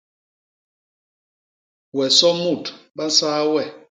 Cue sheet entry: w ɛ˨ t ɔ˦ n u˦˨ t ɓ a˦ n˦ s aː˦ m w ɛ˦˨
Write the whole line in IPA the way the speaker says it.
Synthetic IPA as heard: w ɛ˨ s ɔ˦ m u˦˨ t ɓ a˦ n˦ s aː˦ w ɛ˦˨